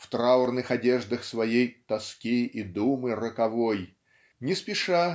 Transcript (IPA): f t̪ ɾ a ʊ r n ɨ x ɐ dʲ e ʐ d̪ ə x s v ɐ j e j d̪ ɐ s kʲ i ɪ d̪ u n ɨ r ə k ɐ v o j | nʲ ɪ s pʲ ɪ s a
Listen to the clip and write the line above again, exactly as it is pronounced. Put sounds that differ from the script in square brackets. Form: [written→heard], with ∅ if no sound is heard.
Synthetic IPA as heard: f t̪ ɾ a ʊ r n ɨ x ɐ dʲ e ʐ d̪ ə x s v ɐ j e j [d̪→t̪] ɐ s kʲ i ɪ d̪ u [n→m] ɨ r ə k ɐ v o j | nʲ ɪ s pʲ ɪ [s→ʂ] a